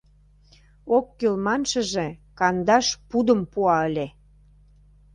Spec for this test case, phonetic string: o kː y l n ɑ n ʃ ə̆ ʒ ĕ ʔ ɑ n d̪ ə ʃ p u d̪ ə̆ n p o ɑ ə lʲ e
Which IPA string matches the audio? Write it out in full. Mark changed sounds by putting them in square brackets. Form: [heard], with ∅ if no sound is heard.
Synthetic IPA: o kː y l [m] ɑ n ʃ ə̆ ʒ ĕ [k] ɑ n d̪ [ɑ] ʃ p u d̪ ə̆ [m] p [u] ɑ ə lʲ e